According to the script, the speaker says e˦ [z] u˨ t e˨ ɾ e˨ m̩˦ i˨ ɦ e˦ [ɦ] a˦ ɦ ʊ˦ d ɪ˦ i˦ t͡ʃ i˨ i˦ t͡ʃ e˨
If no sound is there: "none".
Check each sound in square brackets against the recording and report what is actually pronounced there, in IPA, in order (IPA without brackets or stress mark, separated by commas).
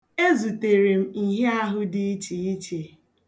z, none